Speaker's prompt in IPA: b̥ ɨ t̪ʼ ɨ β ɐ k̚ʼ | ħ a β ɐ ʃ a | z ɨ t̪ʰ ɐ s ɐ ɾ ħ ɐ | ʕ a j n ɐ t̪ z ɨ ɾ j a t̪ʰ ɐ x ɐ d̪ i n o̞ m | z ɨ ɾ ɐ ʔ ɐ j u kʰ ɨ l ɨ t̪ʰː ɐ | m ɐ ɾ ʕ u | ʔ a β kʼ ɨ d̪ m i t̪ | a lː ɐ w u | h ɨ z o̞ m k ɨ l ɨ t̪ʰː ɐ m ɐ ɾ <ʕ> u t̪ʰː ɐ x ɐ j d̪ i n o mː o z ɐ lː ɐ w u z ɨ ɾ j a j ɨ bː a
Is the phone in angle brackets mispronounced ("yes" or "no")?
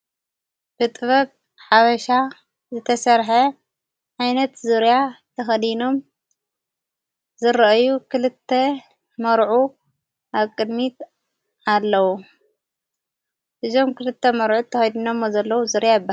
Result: no